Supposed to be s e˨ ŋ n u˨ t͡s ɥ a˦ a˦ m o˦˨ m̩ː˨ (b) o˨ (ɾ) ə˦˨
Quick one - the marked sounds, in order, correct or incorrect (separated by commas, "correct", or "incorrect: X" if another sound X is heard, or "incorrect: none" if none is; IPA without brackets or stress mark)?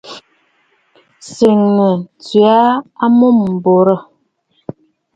correct, correct